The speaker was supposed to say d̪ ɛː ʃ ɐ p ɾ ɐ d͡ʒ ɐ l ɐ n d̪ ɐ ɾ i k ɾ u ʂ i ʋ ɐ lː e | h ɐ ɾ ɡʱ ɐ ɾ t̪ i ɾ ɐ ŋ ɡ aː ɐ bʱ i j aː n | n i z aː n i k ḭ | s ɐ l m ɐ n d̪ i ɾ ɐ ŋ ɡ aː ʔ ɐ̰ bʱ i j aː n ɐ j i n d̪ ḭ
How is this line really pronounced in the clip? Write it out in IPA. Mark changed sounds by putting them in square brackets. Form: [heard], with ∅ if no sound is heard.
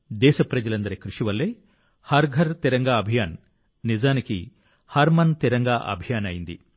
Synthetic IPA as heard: d̪ ɛː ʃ ɐ p ɾ ɐ d͡ʒ ɐ l ɐ n d̪ ɐ ɾ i k ɾ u ʂ i ʋ ɐ lː e | h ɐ ɾ ɡʱ ɐ ɾ t̪ i ɾ ɐ ŋ ɡ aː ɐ bʱ i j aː n | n i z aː n i k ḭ | [h] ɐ [ɾ] m ɐ n [t̪] i ɾ ɐ ŋ ɡ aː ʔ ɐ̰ bʱ i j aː n ɐ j i n d̪ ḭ